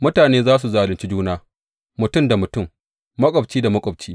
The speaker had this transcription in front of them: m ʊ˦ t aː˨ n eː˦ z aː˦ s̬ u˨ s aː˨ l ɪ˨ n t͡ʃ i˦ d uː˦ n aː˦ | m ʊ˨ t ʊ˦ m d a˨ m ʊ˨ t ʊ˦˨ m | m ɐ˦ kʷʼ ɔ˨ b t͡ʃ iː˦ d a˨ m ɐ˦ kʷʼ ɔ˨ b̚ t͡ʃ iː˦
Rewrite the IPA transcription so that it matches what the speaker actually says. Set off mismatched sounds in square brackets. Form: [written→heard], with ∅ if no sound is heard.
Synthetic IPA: m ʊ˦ t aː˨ n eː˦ z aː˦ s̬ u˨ [s→z] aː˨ l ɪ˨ n t͡ʃ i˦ [d→d͡ʒ] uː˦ n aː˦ | m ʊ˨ t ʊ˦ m d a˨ m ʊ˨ t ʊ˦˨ m | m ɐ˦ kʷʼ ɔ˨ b t͡ʃ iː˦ d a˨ m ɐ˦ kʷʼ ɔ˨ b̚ t͡ʃ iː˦